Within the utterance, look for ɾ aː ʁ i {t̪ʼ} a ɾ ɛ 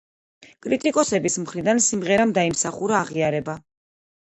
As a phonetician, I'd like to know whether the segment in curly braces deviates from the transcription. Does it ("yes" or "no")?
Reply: yes